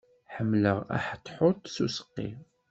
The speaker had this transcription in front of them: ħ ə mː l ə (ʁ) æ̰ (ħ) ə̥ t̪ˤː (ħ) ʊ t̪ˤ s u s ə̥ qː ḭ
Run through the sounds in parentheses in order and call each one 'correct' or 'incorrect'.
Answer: correct, correct, correct

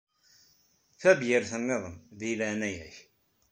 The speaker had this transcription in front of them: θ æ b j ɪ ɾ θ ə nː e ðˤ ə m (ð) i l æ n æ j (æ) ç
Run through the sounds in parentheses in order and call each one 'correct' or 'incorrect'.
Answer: correct, correct

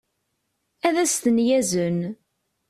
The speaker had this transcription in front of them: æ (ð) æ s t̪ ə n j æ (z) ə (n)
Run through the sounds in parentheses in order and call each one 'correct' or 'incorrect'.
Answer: correct, correct, correct

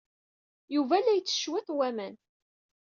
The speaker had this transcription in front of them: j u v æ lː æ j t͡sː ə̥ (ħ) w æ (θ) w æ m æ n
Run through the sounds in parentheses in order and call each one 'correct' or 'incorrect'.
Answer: incorrect, correct

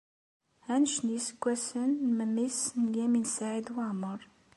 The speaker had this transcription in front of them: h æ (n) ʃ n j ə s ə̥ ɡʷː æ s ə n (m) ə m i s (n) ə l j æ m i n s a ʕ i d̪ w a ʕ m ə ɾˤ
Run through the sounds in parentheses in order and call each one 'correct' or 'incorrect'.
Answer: correct, correct, correct

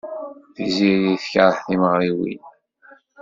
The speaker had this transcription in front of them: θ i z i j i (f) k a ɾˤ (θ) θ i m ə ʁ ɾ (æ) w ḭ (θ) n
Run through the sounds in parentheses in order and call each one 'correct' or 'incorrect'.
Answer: incorrect, incorrect, incorrect, incorrect

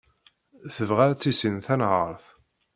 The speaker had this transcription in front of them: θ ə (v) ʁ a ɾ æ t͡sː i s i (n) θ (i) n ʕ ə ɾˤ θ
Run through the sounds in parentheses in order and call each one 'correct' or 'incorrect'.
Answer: correct, correct, incorrect

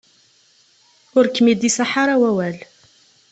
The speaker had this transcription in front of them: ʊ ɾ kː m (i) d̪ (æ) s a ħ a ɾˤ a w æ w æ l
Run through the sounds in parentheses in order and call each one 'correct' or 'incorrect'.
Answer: correct, incorrect

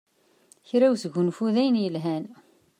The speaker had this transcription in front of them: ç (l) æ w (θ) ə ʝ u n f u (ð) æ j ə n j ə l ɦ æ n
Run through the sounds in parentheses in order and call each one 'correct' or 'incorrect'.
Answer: incorrect, incorrect, correct

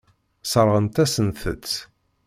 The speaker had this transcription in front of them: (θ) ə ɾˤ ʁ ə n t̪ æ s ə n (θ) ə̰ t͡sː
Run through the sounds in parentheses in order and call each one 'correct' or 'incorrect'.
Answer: incorrect, correct

